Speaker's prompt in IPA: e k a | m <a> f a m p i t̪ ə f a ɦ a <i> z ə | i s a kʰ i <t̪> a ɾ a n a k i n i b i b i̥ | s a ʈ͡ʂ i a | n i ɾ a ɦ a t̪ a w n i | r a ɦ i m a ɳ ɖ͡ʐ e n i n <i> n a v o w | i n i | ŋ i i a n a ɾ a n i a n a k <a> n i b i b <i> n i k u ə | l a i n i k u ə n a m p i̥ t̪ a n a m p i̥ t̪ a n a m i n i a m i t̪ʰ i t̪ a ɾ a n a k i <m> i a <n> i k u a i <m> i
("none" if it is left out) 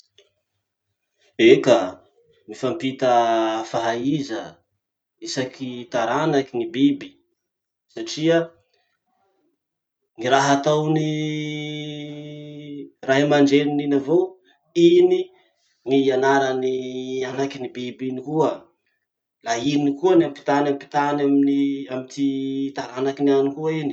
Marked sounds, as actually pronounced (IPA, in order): i, i, t̪, i, i, i, n, n, n

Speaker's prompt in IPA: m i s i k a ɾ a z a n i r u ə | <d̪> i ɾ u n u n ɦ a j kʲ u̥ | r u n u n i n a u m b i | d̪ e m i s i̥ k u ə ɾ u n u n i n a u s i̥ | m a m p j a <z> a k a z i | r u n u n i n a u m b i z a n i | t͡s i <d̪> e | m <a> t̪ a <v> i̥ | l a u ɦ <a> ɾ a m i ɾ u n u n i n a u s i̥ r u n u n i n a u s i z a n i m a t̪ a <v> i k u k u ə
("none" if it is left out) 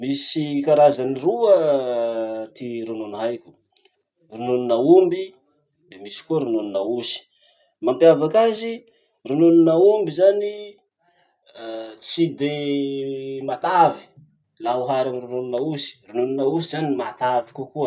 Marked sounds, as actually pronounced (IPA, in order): t̪, v, d̪, a, v, a, v

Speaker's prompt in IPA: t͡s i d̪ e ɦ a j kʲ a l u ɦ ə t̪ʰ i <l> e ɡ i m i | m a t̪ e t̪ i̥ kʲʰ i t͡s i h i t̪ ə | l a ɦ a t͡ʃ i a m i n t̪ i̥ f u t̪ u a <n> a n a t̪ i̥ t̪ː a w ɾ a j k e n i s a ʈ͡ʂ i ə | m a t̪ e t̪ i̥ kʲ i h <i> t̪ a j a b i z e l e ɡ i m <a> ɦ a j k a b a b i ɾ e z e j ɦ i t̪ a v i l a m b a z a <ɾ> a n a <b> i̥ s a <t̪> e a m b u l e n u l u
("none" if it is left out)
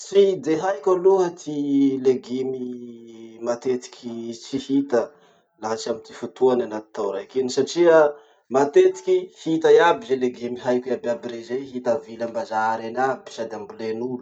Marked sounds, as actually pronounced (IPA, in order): l, n, i, i, ɾ, b, d̪

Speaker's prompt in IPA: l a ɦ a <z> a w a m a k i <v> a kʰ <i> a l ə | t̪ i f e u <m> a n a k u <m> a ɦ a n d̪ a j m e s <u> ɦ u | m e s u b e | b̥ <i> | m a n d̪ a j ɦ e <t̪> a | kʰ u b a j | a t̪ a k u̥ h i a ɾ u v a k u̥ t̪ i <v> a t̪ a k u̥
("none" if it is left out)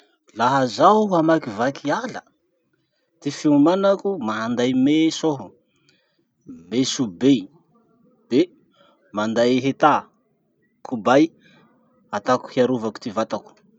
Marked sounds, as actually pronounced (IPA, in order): z, v, i, m, m, o, e, t̪, v

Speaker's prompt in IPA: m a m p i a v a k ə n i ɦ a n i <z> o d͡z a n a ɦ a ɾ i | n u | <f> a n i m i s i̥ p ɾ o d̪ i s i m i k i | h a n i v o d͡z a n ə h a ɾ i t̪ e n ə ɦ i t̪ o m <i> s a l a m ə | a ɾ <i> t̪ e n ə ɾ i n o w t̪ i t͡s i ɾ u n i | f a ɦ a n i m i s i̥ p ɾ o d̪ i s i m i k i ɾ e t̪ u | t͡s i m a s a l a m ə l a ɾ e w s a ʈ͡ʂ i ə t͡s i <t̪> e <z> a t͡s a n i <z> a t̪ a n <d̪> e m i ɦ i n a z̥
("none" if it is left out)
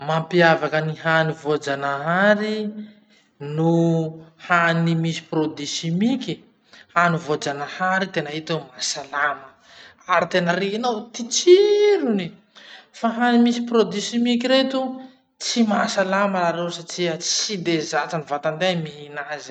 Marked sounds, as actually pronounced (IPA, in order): v, h, a, i, d̪, z, v, d̪

